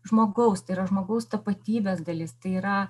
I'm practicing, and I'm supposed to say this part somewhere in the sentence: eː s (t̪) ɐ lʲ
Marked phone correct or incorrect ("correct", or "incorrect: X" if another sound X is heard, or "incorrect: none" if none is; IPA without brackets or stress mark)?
incorrect: d̪